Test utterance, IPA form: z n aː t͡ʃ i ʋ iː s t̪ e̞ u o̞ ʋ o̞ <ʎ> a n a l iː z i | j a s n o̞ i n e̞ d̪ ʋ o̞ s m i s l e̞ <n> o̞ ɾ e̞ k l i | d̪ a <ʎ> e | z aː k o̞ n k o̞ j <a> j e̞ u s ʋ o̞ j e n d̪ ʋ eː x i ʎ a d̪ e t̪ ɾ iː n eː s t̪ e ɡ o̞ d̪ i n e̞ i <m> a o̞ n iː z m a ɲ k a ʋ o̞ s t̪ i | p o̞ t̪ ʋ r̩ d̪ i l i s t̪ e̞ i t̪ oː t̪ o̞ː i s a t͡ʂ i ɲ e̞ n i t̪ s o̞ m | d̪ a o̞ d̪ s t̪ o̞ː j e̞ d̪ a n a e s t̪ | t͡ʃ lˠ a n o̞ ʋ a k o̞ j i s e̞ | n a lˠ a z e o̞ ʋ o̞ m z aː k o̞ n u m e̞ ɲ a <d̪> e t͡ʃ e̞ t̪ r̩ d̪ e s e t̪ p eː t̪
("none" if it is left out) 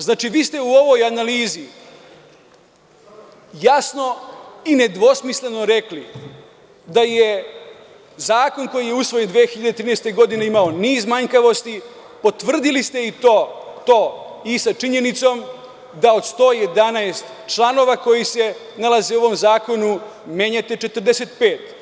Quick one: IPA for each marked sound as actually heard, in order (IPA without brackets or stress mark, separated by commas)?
j, n, j, i, m, t̪